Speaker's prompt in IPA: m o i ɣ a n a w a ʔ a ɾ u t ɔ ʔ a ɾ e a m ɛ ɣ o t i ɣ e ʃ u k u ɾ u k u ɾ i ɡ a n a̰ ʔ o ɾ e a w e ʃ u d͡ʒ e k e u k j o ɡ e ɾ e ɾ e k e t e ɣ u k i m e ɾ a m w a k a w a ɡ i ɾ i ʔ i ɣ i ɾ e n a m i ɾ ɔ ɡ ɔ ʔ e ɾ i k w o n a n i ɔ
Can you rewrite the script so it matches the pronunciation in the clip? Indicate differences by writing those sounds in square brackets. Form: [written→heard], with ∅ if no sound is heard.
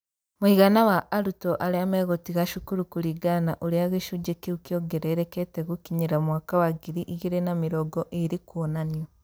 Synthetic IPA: m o i ɣ a n a w a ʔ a ɾ u t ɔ ʔ a ɾ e a m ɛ ɣ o t i ɣ [e→a] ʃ u k u ɾ u k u ɾ i ɡ a n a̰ ʔ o ɾ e a [w→ɣ] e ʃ u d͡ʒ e k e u k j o ɡ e ɾ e ɾ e k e t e ɣ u k i [m→ɲ] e ɾ a m w a k a w a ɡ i ɾ i ʔ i ɣ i ɾ e n a m i ɾ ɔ ɡ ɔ ʔ e ɾ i k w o n a n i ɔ